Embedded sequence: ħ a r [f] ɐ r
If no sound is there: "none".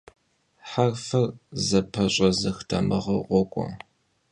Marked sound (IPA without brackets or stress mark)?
f